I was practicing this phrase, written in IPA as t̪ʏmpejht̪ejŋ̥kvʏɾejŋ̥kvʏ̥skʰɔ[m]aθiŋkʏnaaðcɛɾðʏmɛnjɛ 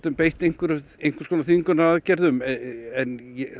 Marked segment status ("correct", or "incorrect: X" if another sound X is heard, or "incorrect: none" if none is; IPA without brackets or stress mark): incorrect: n